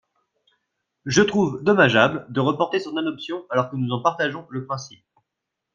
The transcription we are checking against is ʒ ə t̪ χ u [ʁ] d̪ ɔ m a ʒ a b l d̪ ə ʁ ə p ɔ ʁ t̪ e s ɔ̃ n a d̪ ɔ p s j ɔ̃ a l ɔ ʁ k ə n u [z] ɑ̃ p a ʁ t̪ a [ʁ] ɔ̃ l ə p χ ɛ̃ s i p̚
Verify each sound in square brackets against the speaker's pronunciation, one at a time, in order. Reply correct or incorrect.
incorrect, correct, incorrect

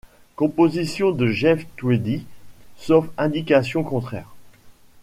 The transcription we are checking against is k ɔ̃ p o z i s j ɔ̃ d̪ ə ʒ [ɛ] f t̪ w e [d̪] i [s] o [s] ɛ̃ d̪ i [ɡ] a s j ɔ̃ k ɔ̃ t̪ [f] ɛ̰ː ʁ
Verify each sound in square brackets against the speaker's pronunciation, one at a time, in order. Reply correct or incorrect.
correct, correct, correct, incorrect, incorrect, incorrect

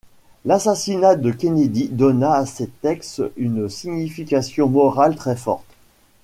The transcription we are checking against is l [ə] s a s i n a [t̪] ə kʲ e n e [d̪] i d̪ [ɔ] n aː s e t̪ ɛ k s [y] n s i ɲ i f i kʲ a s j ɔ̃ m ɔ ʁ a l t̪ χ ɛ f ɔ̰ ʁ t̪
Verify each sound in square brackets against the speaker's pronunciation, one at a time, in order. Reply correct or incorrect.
incorrect, incorrect, correct, correct, correct

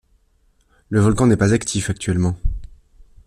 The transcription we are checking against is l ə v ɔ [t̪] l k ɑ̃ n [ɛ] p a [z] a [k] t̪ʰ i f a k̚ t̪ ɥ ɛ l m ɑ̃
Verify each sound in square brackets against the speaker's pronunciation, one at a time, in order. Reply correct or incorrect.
incorrect, correct, correct, correct

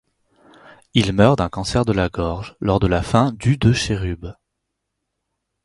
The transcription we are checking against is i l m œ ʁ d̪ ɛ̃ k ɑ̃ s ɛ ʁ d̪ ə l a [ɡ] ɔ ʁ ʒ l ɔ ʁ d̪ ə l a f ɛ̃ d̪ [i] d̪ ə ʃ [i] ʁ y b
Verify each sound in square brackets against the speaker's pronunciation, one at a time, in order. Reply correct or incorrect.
correct, incorrect, incorrect

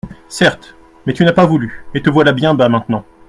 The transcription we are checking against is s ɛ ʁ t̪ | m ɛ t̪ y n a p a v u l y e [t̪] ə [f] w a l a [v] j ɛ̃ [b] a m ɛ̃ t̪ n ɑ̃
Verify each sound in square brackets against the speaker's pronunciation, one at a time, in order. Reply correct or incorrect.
correct, incorrect, incorrect, correct

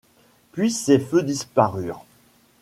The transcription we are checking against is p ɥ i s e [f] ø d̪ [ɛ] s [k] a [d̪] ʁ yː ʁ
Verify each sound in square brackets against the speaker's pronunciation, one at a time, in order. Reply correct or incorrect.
correct, incorrect, incorrect, incorrect

